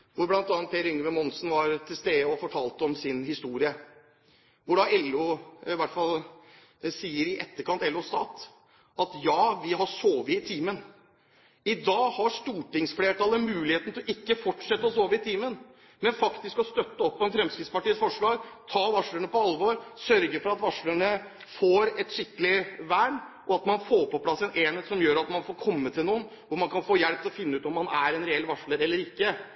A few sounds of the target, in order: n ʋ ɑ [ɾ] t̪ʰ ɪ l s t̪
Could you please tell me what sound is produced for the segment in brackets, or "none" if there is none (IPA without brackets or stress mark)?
ɾ